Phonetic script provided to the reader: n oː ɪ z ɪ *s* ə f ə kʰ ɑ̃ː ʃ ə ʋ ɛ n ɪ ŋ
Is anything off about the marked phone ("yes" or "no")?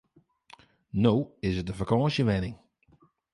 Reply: yes